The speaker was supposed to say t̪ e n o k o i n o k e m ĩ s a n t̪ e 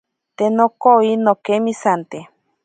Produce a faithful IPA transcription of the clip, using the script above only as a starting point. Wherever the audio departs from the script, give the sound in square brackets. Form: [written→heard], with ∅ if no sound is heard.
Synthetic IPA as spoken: t̪ e n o k o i n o k e m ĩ s a n t̪ e